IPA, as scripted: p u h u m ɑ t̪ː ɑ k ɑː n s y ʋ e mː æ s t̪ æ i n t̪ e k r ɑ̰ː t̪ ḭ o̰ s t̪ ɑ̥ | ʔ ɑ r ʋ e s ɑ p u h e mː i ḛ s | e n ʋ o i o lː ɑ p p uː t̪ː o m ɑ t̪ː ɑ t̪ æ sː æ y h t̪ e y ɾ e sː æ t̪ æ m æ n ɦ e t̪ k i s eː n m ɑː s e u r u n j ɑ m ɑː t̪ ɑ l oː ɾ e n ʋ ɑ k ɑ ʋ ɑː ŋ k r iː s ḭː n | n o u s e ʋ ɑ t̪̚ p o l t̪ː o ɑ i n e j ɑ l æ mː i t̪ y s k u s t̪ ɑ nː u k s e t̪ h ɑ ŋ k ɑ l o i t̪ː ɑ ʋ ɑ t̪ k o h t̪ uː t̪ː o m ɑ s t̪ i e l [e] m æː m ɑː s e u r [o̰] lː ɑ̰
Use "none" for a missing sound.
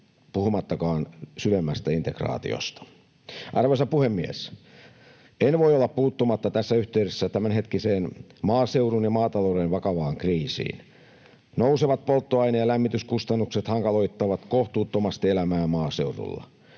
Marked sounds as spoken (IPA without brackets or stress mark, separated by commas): æ, ṵ